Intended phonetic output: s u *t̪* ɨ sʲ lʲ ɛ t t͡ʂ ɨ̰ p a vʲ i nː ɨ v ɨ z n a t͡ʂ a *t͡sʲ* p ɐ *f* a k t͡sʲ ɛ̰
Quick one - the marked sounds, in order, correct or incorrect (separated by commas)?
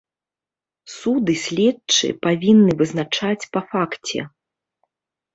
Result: incorrect, correct, correct